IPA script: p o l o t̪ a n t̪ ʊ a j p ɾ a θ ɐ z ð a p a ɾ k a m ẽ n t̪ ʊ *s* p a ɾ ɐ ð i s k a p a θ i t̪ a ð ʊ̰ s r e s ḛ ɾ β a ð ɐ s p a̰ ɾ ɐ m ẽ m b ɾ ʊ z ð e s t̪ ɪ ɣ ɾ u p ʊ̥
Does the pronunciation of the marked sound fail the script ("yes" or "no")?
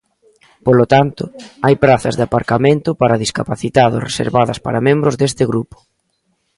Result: yes